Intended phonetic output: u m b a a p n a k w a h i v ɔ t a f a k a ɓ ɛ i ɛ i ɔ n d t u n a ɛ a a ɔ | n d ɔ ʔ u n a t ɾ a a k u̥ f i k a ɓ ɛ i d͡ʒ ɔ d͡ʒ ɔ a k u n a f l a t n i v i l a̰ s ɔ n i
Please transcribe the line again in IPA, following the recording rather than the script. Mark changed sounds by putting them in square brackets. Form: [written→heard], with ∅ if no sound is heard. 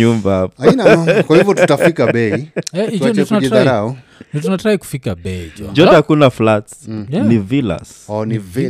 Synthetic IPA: u m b a a p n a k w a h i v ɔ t a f [a→i] k a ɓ ɛ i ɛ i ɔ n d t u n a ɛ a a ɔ | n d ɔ [ʔ→t] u n a t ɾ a [a→i] k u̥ f i k a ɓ ɛ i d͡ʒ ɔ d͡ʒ ɔ a k u n a f l a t n i v i l a̰ s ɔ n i